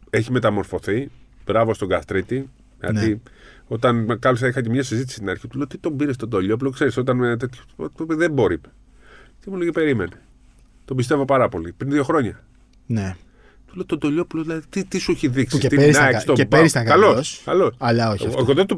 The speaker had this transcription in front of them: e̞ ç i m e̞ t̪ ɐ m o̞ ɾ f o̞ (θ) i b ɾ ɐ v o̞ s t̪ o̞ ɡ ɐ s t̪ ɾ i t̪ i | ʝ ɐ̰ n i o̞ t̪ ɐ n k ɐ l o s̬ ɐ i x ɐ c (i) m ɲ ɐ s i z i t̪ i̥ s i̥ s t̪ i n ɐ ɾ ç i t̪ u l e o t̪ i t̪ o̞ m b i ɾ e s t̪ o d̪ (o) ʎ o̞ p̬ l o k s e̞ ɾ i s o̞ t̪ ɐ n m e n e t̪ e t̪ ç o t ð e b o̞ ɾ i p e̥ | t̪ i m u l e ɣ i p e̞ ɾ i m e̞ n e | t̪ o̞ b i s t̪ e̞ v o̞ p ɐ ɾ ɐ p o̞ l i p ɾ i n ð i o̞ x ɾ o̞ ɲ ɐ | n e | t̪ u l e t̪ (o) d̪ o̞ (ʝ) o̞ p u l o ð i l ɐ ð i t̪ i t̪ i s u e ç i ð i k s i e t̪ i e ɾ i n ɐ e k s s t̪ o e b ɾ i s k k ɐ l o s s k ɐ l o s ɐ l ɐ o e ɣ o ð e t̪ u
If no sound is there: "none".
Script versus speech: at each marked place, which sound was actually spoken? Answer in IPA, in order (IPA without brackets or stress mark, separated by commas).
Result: θ, e, o, o, ʎ